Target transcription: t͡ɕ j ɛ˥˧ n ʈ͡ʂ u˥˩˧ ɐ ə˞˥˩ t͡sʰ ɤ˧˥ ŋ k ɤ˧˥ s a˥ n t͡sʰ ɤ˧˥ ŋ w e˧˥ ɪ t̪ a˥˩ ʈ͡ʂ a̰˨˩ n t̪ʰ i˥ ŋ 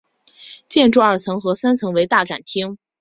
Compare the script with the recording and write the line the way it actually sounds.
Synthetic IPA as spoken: t͡ɕ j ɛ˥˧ n ʈ͡ʂ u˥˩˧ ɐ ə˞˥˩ t͡sʰ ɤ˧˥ ŋ x ɤ˧˥ s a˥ n t͡sʰ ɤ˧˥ ŋ w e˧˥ ɪ t̪ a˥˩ ʈ͡ʂ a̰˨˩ n t̪ʰ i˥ ŋ